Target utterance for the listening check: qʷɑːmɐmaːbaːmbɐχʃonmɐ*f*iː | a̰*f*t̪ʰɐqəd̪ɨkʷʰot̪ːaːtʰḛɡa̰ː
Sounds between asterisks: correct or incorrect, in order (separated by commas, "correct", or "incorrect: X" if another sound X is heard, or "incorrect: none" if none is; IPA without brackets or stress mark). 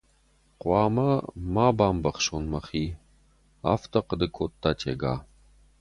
incorrect: χ, correct